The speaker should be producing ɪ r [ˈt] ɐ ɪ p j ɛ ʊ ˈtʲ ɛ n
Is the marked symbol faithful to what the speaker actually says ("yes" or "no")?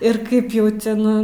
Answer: no